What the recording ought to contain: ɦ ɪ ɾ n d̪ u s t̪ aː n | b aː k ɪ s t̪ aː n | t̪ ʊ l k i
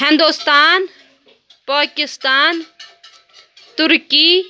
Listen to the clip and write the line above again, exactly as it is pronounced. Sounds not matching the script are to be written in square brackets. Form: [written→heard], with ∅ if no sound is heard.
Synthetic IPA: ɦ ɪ [ɾ→∅] n d̪ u s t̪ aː n | [b→p] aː k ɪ s t̪ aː n | t̪ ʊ [l→ɾ] k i